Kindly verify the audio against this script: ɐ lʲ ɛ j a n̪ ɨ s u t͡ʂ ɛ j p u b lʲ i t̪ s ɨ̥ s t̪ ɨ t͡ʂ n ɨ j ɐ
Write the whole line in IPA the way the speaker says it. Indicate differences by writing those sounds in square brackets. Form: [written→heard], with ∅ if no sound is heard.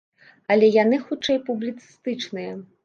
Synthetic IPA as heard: ɐ lʲ ɛ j a n̪ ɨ [s→x] u t͡ʂ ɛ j p u b lʲ i t̪ s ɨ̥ s t̪ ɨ t͡ʂ n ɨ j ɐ